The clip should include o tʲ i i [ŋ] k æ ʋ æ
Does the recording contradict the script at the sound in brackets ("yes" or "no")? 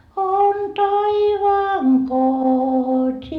yes